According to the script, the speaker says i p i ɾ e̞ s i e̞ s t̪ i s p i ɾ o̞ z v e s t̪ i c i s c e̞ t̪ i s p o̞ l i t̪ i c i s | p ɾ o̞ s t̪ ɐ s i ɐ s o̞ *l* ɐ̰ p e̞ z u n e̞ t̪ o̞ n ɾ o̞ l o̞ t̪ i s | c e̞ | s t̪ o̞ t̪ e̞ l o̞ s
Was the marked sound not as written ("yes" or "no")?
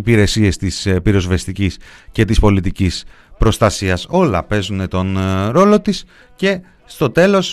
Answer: no